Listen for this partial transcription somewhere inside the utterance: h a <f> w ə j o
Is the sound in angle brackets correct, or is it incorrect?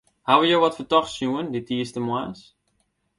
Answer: incorrect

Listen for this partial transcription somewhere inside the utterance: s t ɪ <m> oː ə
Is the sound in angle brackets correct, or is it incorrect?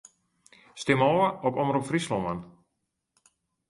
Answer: correct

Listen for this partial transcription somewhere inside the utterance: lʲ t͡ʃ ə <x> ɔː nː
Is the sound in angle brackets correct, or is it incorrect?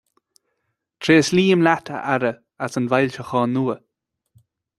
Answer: correct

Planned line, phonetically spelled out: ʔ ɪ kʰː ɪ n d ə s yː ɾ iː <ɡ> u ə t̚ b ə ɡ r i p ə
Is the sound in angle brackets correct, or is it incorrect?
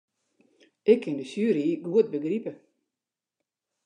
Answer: correct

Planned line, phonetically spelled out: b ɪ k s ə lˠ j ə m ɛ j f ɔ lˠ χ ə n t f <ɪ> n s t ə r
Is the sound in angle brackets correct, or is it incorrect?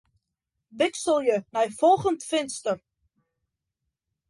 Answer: correct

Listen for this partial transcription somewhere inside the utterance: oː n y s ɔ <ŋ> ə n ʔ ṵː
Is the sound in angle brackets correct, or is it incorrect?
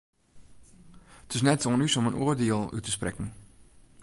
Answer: incorrect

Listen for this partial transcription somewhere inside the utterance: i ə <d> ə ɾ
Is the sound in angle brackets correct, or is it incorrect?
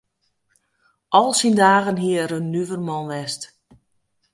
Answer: incorrect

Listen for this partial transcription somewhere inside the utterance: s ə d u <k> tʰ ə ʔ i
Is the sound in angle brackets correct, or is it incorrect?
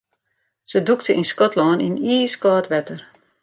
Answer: correct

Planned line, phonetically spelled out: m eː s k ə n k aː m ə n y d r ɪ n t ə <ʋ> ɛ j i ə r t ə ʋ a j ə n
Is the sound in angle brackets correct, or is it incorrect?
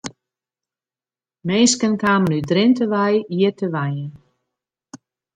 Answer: correct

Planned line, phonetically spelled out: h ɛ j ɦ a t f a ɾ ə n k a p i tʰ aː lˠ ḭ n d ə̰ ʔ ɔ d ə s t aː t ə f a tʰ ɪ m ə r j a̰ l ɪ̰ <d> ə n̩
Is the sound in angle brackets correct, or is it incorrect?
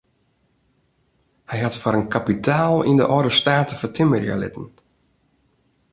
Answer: incorrect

